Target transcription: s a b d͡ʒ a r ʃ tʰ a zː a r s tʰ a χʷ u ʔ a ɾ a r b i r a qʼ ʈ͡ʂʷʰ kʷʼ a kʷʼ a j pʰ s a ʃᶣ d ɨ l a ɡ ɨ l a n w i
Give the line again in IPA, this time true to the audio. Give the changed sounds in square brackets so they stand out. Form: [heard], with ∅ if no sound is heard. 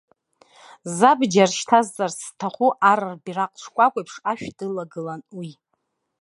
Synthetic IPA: [z] a b d͡ʒ a r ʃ tʰ a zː a r s tʰ a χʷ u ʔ a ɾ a r b i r a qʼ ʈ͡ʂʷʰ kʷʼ a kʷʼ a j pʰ [ʂ] a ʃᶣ d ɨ l a ɡ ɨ l a n w i